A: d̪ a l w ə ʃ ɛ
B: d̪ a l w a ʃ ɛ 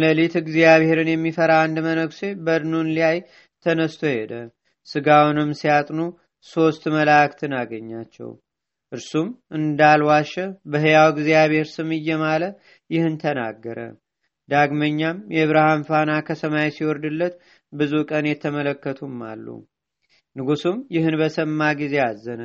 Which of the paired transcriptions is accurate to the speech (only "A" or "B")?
B